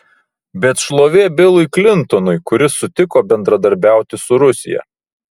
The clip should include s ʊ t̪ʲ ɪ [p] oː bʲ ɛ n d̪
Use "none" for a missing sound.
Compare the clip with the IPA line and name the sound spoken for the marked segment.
k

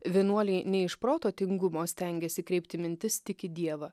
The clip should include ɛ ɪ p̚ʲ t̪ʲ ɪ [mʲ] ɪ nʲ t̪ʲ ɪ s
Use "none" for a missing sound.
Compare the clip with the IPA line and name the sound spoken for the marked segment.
mʲ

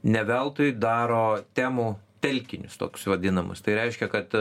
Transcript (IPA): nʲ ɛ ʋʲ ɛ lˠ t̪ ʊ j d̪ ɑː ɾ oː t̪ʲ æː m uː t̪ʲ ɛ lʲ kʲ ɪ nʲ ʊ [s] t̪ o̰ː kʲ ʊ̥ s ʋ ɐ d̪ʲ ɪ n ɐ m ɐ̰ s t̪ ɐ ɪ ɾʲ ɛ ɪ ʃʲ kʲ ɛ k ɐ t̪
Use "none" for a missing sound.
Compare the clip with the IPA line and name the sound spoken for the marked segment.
s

